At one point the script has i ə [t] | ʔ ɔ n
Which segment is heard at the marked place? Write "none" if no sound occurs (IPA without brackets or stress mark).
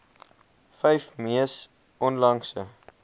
s